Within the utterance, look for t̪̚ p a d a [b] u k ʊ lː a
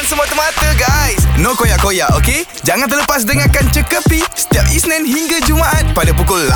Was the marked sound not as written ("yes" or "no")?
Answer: yes